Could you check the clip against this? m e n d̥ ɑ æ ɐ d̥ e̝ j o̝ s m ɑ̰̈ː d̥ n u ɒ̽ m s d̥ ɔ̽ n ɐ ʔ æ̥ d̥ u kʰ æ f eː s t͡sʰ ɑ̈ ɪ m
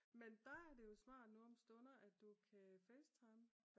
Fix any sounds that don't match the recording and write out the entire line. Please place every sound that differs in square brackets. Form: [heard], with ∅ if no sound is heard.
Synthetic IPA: m e n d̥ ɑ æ ɐ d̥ e̝ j o̝ s m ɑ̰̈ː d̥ n u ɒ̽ m s d̥ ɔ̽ n ɐ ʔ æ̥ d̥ u kʰ æ f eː s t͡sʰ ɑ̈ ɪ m

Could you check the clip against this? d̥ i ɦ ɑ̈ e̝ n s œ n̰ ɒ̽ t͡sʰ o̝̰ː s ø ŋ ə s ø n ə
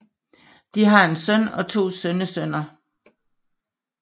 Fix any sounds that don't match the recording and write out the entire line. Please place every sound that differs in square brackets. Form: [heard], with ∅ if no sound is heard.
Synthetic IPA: d̥ i ɦ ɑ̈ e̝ n s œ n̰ ɒ̽ t͡sʰ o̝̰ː s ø [n] ə s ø n [ɐ]

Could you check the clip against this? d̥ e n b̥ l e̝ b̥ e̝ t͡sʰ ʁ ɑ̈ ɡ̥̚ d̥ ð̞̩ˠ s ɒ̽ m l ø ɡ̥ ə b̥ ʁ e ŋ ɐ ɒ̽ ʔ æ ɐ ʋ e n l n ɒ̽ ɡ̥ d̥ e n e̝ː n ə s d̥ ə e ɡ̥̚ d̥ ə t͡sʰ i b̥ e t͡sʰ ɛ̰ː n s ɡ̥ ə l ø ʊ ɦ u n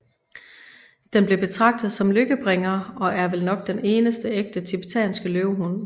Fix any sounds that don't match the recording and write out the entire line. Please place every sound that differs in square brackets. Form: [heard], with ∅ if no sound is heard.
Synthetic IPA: d̥ e n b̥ l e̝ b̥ e̝ t͡sʰ ʁ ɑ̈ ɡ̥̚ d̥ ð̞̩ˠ s ɒ̽ m l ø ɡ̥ ə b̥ ʁ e ŋ ɐ ɒ̽ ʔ æ ɐ ʋ e [∅] l n ɒ̽ ɡ̥ d̥ e n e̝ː n ə s d̥ ə e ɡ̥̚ d̥ ə t͡sʰ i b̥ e t͡sʰ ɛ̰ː n s ɡ̥ ə l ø ʊ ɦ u n

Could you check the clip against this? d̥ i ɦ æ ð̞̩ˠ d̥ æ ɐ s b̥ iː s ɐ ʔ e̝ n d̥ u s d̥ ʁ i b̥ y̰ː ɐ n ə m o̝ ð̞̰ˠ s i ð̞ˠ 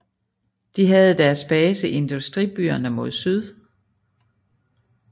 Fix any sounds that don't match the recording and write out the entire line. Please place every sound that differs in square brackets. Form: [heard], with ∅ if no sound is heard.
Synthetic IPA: d̥ i ɦ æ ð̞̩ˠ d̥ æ ɐ s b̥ [ɛː] s [ə] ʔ e̝ n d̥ u s d̥ ʁ i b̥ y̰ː ɐ n ə m o̝ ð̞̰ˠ s [y] ð̞ˠ

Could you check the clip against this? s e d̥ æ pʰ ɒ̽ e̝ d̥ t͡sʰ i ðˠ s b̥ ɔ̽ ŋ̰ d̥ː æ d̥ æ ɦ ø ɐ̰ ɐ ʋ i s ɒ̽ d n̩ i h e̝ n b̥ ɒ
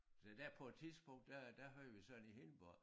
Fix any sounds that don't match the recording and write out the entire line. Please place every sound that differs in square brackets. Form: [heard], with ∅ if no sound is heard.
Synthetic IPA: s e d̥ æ pʰ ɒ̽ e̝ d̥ t͡sʰ i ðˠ s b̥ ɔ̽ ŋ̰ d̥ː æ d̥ æ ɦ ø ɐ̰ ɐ ʋ i s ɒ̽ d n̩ i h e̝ n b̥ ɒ

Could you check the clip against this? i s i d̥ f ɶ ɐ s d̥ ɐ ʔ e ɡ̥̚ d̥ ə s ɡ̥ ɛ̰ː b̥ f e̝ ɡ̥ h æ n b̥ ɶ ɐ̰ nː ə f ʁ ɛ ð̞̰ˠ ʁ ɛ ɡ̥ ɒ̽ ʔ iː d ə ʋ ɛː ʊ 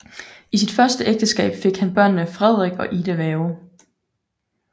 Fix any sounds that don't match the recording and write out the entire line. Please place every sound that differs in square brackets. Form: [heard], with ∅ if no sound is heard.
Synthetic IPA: i s i d̥ f ɶ ɐ s d̥ [ə] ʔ e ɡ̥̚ d̥ ə s ɡ̥ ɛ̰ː b̥ f e̝ ɡ̥ h æ n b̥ ɶ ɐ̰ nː ə f ʁ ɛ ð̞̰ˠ ʁ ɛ ɡ̥ ɒ̽ ʔ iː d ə ʋ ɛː ʊ

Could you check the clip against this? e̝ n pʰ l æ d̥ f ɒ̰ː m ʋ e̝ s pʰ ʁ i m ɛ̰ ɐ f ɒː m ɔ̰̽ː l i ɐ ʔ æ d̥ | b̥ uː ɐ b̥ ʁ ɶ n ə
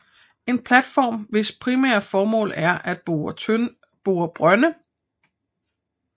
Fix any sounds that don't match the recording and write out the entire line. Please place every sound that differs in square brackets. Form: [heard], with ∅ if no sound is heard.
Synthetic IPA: e̝ n pʰ l æ d̥ f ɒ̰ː m ʋ e̝ s pʰ ʁ i m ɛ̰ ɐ f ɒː m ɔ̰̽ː l [æ] ɐ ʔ æ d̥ | b̥ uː ɐ b̥ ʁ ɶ n ə

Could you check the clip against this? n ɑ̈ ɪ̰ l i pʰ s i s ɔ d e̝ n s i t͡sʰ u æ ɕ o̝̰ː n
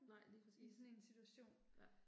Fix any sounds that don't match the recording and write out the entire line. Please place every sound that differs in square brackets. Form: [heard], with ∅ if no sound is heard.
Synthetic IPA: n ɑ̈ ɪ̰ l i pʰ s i s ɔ [n] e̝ n s i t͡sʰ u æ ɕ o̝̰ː n

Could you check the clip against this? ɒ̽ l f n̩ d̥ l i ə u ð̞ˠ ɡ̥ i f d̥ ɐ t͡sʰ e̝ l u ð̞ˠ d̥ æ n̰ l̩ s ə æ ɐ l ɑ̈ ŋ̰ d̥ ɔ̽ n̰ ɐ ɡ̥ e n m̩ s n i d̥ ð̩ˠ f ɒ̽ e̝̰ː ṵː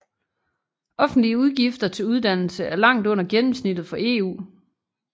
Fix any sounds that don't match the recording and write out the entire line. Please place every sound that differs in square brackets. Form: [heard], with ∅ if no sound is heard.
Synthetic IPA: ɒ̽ [∅] f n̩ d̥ l i ə u ð̞ˠ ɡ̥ i f d̥ ɐ t͡sʰ e̝ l u ð̞ˠ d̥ æ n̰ l̩ s ə æ ɐ l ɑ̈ ŋ̰ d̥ ɔ̽ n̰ ɐ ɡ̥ e n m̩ s n i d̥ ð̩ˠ f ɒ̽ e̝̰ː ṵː

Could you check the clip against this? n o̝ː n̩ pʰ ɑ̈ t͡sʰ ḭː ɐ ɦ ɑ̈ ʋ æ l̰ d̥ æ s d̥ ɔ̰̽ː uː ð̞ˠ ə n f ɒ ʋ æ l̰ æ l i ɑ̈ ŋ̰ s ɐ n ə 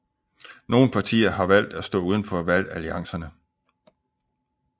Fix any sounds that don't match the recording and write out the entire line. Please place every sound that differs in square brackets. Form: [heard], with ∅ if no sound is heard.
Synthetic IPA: n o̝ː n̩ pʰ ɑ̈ t͡sʰ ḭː ɐ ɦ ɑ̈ ʋ æ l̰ d̥ æ s d̥ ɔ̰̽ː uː ð̞ˠ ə n f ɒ ʋ æ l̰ æ l i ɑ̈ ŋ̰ s ɐ n ə

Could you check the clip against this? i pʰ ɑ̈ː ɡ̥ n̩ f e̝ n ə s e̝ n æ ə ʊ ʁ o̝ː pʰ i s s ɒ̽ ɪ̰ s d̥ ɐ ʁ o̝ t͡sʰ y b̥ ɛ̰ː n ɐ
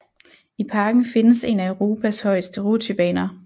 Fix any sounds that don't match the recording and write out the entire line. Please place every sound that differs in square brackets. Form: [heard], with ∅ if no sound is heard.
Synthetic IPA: i pʰ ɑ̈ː ɡ̥ n̩ f e̝ n ə s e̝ n æ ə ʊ ʁ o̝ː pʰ [æ] s [h] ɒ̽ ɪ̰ s d̥ [ə] ʁ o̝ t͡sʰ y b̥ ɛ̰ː n ɐ

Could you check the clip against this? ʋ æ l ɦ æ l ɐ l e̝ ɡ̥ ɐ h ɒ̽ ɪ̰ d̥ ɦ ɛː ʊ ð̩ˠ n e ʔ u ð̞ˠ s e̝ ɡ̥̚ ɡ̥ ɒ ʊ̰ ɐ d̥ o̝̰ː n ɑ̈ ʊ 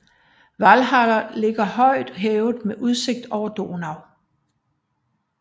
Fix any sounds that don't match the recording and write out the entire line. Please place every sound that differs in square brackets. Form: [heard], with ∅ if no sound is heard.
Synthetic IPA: ʋ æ l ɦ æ l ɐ l e̝ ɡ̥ ɐ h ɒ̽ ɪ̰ d̥ ɦ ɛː ʊ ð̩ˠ [m] e ʔ u ð̞ˠ s e̝ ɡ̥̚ [d̥] ɒ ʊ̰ ɐ d̥ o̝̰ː n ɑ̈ ʊ

